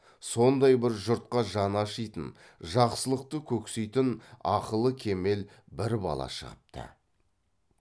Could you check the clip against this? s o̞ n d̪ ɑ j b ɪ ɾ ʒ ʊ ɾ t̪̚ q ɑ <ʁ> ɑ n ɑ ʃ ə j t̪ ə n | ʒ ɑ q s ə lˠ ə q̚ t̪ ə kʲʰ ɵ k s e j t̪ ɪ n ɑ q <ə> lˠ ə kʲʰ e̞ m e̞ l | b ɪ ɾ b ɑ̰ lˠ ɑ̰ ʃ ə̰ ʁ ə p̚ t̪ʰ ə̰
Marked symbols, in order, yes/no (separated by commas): no, yes